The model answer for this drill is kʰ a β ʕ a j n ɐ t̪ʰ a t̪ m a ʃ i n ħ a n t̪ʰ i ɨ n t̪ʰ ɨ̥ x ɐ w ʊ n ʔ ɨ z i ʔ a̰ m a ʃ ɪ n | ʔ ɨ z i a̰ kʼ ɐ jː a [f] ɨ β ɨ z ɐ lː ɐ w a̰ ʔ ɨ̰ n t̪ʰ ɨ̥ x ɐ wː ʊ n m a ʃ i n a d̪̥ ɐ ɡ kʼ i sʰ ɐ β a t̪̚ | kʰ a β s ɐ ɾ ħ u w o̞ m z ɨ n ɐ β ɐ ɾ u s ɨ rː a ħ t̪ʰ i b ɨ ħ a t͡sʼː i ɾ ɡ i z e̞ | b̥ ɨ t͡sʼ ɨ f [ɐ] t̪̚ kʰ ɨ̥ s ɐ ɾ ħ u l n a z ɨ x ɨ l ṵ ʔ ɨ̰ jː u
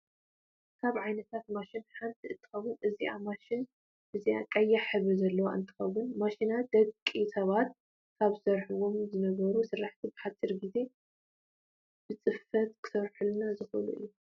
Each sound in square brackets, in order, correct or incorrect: incorrect: ħ, correct

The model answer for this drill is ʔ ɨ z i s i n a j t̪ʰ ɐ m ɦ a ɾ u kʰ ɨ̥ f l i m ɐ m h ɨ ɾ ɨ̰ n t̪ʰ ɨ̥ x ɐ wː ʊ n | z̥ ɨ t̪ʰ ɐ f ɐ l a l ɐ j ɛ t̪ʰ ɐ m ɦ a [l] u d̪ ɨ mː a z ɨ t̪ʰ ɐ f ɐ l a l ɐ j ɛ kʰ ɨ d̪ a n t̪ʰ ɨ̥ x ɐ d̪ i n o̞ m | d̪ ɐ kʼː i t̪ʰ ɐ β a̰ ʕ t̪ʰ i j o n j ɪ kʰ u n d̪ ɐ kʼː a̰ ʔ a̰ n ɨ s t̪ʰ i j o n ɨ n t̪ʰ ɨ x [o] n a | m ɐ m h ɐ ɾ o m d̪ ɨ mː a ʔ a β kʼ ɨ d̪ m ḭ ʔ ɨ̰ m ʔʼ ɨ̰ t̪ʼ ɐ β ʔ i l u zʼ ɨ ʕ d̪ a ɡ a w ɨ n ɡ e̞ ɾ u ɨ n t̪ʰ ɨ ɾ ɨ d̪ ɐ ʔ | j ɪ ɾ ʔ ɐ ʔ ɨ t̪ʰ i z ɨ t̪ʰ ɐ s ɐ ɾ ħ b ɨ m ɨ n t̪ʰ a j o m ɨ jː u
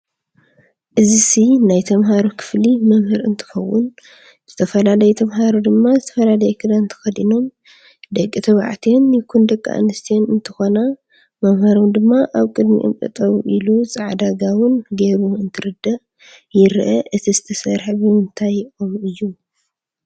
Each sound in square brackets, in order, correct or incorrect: incorrect: ɾ, correct

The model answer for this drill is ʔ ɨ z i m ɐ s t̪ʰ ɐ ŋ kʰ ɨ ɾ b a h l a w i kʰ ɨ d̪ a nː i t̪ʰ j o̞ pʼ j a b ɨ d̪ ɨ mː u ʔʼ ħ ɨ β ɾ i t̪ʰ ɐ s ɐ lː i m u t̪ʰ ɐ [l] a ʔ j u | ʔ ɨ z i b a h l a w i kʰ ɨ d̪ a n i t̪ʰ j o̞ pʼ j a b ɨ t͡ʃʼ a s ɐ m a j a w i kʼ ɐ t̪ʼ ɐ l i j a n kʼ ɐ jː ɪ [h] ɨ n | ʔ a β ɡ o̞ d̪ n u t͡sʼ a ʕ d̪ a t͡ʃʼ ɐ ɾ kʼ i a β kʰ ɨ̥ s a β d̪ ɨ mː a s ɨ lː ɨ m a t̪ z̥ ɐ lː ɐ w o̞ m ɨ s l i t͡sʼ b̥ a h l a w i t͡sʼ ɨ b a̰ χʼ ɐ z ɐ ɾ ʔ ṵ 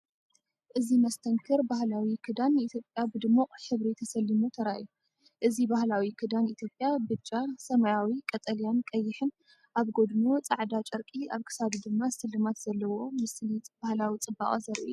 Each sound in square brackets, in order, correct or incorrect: incorrect: ɾ, incorrect: ħ

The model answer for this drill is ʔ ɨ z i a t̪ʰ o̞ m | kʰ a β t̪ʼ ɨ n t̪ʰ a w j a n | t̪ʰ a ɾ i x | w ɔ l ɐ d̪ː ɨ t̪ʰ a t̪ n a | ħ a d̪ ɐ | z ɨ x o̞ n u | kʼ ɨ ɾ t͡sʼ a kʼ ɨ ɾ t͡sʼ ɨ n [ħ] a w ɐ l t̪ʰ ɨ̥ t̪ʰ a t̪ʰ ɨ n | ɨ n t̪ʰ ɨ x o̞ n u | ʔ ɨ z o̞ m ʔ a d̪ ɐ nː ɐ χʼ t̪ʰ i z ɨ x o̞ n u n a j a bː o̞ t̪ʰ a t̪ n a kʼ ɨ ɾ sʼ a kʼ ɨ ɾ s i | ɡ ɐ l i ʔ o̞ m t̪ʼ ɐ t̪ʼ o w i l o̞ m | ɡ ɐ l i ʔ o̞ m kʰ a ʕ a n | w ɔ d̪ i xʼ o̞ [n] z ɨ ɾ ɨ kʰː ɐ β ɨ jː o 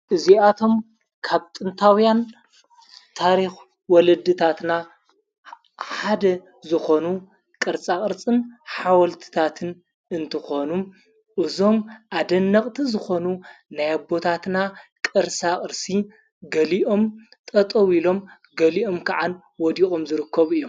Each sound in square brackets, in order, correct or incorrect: correct, incorrect: m

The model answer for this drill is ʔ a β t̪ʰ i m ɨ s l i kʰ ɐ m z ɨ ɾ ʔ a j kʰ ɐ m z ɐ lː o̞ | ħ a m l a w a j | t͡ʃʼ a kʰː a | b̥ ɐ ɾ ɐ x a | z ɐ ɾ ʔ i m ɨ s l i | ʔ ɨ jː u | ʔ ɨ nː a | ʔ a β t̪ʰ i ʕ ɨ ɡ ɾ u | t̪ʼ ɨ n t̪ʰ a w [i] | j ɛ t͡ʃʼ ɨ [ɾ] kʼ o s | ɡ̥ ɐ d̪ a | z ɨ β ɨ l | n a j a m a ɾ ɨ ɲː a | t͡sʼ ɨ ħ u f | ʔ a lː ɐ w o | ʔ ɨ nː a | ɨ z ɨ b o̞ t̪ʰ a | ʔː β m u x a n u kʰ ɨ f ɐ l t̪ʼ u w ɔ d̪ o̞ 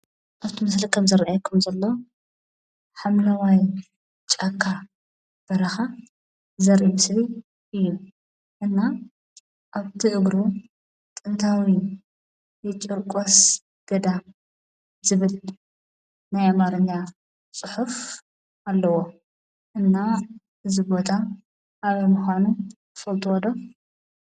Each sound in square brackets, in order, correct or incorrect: correct, correct

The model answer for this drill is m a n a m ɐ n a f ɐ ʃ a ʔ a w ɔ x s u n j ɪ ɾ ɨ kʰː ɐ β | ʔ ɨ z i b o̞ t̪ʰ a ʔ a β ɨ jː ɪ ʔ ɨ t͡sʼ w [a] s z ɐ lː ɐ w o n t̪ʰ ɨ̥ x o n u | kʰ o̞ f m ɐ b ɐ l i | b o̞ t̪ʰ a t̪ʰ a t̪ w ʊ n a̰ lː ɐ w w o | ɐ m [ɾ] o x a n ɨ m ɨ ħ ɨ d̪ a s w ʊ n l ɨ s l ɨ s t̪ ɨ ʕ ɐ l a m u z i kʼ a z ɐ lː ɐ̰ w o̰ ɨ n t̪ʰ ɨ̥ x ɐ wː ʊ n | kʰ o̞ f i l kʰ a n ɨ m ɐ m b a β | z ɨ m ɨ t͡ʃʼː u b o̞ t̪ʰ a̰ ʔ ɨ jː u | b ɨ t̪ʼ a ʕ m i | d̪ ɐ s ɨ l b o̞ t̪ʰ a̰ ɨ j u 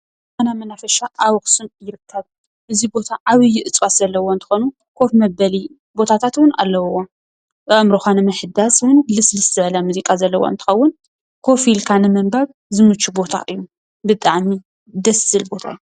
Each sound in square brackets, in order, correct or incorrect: correct, correct

